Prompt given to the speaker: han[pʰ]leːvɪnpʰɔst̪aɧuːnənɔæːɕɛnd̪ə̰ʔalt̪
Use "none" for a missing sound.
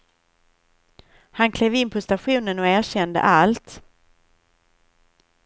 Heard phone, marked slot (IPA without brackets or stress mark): kʰ